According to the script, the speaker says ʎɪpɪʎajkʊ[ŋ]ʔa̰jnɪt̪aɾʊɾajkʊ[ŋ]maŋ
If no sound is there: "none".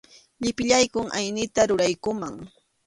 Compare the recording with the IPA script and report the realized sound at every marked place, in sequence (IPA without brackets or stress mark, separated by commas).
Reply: ŋ, none